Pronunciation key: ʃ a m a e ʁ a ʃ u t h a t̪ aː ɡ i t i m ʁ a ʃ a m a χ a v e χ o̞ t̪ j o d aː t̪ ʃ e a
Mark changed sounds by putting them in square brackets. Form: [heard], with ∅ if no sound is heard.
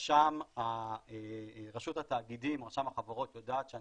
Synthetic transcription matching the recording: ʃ a m a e ʁ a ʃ u t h a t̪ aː ɡ i [d] i m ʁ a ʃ a m a χ a v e [ʁ] o̞ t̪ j o d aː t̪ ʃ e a